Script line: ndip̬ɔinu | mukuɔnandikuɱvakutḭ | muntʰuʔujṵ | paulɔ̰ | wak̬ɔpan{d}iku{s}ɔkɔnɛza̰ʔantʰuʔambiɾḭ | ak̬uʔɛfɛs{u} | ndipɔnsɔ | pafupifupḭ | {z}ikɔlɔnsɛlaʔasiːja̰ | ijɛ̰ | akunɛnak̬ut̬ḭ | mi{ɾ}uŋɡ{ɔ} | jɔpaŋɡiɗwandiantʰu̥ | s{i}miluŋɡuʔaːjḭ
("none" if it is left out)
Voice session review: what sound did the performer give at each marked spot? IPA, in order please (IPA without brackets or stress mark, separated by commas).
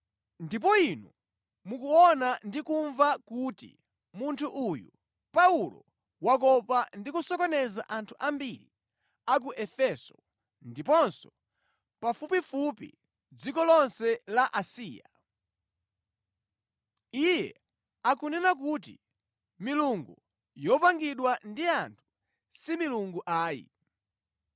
d, s, ɔ, d͡z, l, u, i